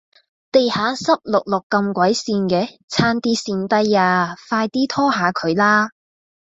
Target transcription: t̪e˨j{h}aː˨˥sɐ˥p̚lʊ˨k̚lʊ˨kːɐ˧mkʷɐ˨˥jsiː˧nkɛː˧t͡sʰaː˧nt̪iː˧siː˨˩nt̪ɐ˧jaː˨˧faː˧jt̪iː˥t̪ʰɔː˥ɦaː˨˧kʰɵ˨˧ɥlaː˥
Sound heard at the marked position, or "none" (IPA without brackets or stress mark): h